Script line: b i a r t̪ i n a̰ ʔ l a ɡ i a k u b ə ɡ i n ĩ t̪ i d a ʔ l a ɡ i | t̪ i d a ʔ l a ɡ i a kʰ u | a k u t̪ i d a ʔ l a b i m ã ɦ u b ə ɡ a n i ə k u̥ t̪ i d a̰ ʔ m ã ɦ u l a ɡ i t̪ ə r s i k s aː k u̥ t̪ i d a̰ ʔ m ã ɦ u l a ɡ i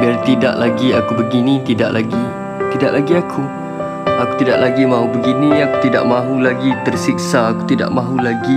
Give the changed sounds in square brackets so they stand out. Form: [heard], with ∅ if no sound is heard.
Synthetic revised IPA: b i a r t̪ i [d] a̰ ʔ l a ɡ i a k u b ə ɡ i n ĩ t̪ i d a ʔ l a ɡ i | t̪ i d a ʔ l a ɡ i a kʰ u | a k u t̪ i d a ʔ l a [ɡ] i m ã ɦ u b ə ɡ [i] n i [a] k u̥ t̪ i d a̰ ʔ m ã ɦ u l a ɡ i t̪ ə r s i k s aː k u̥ t̪ i d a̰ ʔ m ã ɦ u l a ɡ i